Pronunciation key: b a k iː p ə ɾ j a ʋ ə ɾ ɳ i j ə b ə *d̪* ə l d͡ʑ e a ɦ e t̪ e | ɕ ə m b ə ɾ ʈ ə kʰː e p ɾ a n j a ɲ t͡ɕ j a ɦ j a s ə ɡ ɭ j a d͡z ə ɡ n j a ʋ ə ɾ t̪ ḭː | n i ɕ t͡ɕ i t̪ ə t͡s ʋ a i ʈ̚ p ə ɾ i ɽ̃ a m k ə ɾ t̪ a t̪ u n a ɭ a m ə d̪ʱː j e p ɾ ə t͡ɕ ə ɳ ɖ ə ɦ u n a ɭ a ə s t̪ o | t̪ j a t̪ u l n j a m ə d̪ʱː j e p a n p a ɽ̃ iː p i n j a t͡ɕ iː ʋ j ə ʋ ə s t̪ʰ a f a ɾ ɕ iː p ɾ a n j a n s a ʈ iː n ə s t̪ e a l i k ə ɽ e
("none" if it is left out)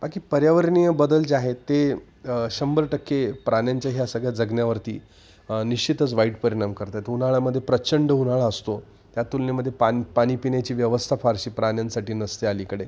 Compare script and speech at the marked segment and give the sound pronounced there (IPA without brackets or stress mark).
d̪